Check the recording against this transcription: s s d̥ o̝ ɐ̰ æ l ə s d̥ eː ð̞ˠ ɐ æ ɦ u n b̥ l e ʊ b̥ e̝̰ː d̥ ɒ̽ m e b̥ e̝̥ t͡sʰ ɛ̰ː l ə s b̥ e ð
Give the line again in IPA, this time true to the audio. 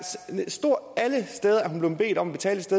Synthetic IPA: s s d̥ o̝ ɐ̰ æ l ə s d̥ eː ð̞ˠ ɐ æ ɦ u n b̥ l e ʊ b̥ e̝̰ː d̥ ɒ̽ m æ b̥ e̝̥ t͡sʰ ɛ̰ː l ə s d̥ e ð

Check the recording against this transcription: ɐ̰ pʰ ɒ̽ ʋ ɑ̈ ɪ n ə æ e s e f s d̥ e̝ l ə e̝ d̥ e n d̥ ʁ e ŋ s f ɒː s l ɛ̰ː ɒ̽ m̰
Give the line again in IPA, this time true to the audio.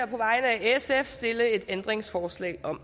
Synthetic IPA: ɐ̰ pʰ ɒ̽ ʋ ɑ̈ ɪ n ə æ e s e f s d̥ e̝ l ə e̝ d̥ e n d̥ ʁ e ŋ s f ɒː s l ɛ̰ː ɒ̽ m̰

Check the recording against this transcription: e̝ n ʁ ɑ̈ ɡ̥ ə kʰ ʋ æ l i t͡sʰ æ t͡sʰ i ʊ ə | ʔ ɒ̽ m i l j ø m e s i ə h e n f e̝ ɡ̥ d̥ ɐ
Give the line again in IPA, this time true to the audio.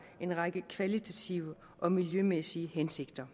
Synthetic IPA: e̝ n ʁ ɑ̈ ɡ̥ ə kʰ ʋ æ l i t͡sʰ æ t͡sʰ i ʊ ə | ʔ ɒ̽ m i l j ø m e s i ə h e n s e̝ ɡ̥ d̥ ɐ

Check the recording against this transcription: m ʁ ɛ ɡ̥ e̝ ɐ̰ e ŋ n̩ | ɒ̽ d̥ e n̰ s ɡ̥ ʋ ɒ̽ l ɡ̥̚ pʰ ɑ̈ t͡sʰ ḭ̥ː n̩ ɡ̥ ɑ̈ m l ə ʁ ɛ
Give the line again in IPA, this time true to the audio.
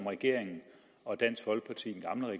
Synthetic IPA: m ʁ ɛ ɡ̥ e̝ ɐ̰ e ŋ n̩ | ɒ̽ d̥ æ n̰ s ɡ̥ ʋ ɒ̽ l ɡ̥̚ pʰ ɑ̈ t͡sʰ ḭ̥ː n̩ ɡ̥ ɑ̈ m l ə ʁ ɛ

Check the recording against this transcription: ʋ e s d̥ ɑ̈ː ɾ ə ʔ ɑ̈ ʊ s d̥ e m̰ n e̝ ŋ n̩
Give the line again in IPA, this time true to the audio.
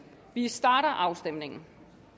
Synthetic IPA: ʋ i s d̥ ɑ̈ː ɾ ɐ ʔ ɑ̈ ʊ s d̥ e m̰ n e̝ ŋ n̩

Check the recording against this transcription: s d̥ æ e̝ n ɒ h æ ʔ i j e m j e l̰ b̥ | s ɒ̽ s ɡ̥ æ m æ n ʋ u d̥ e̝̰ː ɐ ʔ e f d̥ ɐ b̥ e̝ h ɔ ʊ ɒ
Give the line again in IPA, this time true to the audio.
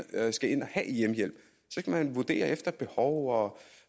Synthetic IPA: s ɡ̥ æ e̝ n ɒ h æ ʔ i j e m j e l̰ b̥ | s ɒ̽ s ɡ̥ æ m æ n ʋ u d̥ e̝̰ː ɐ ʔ e f d̥ ɐ b̥ e̝ h ɒ ʊ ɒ

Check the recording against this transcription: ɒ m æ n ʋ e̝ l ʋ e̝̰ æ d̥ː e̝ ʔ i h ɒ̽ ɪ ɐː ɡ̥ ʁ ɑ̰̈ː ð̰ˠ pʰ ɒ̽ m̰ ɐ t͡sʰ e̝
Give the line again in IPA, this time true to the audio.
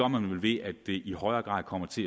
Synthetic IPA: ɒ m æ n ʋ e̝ l ʋ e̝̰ æ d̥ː e̝ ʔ i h ɒ̽ ɪ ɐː ɡ̥ ʁ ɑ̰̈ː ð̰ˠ kʰ ɒ̽ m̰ ɐ t͡sʰ e̝

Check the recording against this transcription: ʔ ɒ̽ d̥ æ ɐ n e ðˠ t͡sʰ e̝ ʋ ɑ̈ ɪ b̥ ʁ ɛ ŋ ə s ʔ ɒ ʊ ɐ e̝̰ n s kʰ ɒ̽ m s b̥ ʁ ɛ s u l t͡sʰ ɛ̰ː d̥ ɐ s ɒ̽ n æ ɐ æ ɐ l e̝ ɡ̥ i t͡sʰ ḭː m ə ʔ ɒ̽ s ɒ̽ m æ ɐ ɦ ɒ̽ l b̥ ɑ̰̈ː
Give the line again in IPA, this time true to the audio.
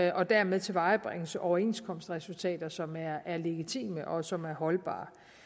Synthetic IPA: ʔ ɒ̽ d̥ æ ɐ m e ðˠ t͡sʰ e̝ ʋ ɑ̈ ɪ b̥ ʁ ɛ ŋ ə s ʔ ɒ ʊ ɐ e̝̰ n s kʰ ɒ̽ m s d̥ ʁ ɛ s u l t͡sʰ ɛ̰ː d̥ ɐ s ɒ̽ m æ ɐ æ ɐ l e̝ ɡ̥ i t͡sʰ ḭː m ə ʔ ɒ̽ s ɒ̽ m æ ɐ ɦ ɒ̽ l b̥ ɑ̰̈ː

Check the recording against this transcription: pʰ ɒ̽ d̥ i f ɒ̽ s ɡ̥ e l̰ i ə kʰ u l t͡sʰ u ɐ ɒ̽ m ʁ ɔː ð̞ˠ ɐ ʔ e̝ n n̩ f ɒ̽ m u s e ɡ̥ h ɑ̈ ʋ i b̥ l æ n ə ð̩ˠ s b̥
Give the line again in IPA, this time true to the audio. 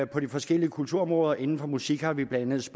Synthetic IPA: pʰ ɒ̽ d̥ i f ɒ̽ s ɡ̥ e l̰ i ə kʰ u l t͡sʰ u ɐ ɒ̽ m ʁ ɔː ð̞ˠ ɐ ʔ e̝ n n̩ f ɒ̽ m u s i ɡ̥ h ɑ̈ ʋ i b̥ l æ n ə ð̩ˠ s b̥

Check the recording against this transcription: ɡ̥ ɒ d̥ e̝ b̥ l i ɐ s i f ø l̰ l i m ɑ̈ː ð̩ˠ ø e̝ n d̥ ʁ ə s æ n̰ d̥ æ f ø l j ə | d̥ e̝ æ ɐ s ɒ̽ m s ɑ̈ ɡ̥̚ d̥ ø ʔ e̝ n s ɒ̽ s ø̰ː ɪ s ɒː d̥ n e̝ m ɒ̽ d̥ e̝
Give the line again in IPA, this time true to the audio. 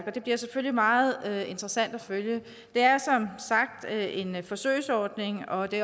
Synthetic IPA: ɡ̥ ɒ d̥ e̝ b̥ l i ɐ s e f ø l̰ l i m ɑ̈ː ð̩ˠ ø e̝ n d̥ ʁ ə s æ n̰ d̥ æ f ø l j ə | d̥ e̝ æ ɐ s ɒ̽ m s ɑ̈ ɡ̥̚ d̥ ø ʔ e̝ n f ɒ̽ s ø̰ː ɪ s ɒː d̥ n e̝ ŋ ɒ̽ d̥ e̝

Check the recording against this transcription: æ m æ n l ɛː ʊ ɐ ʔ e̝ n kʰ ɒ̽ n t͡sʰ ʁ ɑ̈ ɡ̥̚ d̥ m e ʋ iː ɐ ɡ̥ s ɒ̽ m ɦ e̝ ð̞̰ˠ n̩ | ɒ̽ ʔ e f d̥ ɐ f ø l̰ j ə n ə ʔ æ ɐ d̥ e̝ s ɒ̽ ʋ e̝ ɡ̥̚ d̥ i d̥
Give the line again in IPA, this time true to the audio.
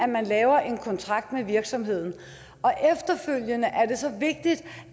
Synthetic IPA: æ m æ n l ɛː ʊ ɐ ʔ e̝ n kʰ ɒ̽ n t͡sʰ ʁ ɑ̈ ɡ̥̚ d̥ m e ʋ i ɐ ɡ̥ s ɒ̽ m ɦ e̝ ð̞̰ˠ n̩ | ɒ̽ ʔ e f d̥ ɐ f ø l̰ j ə n ə ʔ æ ɐ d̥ e̝ s ɒ̽ ʋ e̝ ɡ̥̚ d̥ i d̥

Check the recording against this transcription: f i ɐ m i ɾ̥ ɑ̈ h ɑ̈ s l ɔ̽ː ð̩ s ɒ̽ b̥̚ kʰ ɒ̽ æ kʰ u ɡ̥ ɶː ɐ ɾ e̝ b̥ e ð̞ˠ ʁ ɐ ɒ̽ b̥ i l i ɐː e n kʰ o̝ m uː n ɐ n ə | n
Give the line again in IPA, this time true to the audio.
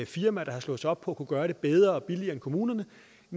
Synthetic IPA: f i ɐ m æ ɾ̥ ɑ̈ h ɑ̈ s l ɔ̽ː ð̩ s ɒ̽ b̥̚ pʰ ɒ̽ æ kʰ u ɡ̥ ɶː ɐ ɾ e̝ b̥ e ð̞ˠ ʁ ɐ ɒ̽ b̥ i l i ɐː e n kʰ o̝ m uː n ɐ n ə | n

